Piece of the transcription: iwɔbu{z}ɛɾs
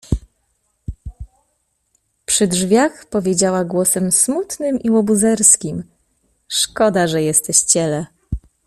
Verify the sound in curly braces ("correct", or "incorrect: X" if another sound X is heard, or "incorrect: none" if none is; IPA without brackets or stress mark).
correct